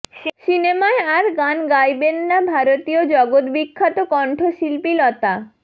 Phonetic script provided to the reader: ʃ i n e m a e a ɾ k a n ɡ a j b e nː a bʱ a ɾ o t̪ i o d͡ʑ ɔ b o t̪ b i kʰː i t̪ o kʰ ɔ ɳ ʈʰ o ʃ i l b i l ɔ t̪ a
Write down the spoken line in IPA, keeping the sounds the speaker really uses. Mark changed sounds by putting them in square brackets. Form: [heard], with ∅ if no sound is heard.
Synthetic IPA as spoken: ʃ i n e m a e a ɾ [ɡ] a n ɡ a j b e nː a bʱ a ɾ o t̪ i o d͡ʑ ɔ [ɡ] o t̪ b i kʰː [a] t̪ o [k] ɔ ɳ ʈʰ o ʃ i l [p] i l ɔ t̪ a